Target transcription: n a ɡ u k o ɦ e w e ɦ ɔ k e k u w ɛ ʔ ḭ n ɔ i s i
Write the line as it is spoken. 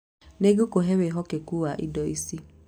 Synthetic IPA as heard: n e ɡ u k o ɦ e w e ɦ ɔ k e k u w a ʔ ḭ d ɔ i s i